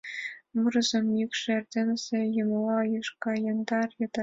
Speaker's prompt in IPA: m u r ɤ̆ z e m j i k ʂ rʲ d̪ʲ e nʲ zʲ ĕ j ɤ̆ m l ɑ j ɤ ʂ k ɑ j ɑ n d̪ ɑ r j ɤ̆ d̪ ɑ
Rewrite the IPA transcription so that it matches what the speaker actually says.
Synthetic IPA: m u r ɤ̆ z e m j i k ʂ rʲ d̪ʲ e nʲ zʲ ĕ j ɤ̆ m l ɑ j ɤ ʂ k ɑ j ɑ n d̪ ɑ r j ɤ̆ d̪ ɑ